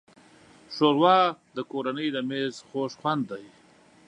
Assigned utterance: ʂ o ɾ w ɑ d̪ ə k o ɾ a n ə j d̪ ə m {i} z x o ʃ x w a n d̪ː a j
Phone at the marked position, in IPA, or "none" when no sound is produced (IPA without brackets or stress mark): e